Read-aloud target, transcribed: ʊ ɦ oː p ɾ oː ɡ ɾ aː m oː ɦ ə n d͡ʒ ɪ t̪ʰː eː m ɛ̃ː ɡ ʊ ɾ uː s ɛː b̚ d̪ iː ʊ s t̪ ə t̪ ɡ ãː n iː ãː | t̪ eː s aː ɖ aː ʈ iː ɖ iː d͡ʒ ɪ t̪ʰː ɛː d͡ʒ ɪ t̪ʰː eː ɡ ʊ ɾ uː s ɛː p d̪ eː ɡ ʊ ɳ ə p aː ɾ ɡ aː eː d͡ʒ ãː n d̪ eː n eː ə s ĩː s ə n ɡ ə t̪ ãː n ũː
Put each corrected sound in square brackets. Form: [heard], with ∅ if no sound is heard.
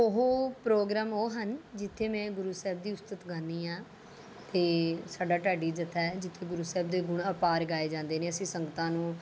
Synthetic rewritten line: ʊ ɦ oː p ɾ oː ɡ ɾ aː m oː ɦ ə n d͡ʒ ɪ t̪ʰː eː m ɛ̃ː ɡ ʊ ɾ uː s ɛː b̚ d̪ iː ʊ s t̪ ə t̪ ɡ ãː n iː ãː | t̪ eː s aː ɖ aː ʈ [aː] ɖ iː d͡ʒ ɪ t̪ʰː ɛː d͡ʒ ɪ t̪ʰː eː ɡ ʊ ɾ uː s ɛː [b] d̪ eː ɡ ʊ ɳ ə p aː ɾ ɡ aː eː d͡ʒ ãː n d̪ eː n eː ə s ĩː s ə [ŋ] ɡ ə t̪ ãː n ũː